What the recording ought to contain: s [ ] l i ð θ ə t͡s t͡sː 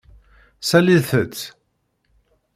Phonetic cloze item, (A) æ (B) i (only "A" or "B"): A